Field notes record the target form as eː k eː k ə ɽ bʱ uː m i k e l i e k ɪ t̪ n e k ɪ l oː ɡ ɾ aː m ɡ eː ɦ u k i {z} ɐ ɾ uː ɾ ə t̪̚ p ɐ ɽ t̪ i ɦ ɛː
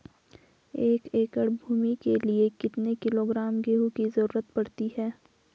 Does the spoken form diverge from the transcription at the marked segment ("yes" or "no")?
no